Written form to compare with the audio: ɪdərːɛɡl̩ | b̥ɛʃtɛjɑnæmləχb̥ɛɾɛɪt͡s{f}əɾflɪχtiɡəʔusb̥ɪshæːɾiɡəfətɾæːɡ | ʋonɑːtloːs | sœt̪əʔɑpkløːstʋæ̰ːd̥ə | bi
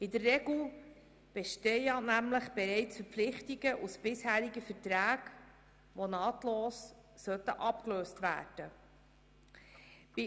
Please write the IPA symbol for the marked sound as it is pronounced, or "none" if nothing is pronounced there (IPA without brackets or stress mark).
f